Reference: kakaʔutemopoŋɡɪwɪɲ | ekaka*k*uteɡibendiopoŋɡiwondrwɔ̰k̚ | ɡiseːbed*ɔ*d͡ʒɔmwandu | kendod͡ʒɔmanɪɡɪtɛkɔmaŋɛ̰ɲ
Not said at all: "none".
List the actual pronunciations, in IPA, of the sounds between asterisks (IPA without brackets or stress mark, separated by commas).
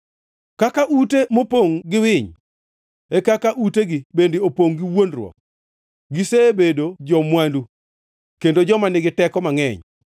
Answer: ʔ, o